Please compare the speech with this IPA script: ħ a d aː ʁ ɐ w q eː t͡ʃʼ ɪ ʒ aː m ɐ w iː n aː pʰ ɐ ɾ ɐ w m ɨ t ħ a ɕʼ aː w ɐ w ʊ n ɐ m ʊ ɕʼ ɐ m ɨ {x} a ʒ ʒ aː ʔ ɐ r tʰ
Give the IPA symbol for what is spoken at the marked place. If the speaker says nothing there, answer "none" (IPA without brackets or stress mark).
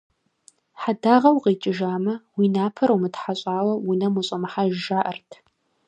ħ